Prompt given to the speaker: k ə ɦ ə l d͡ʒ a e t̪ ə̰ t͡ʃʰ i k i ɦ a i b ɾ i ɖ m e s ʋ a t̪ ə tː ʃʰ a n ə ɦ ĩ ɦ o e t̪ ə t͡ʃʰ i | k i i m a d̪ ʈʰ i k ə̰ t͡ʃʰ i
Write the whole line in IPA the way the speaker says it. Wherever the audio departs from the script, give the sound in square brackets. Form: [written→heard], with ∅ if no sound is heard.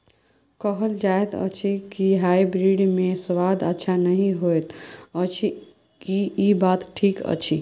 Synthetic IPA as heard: k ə ɦ ə l d͡ʒ a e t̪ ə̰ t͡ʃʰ i k i ɦ a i b ɾ i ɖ m e s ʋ a [t̪→d̪] ə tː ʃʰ a n ə ɦ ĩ ɦ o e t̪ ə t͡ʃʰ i | k i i [m→b] a [d̪→t̪] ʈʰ i k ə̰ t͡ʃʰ i